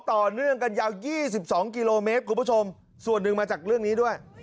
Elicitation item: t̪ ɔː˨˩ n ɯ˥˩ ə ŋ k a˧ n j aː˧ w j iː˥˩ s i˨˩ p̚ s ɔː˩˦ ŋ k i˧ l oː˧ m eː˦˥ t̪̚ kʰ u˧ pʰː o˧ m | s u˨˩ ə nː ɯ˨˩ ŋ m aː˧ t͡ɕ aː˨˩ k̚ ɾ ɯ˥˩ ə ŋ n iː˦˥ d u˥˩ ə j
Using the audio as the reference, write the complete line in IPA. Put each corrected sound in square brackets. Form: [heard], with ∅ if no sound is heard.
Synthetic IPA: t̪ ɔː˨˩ n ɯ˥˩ ə ŋ k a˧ n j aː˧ w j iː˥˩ s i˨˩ p̚ s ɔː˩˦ ŋ k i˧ l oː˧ m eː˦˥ t̪̚ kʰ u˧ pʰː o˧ m | s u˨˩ ə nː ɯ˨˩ ŋ m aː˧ t͡ɕ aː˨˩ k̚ ɾ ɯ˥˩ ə ŋ n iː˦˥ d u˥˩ ə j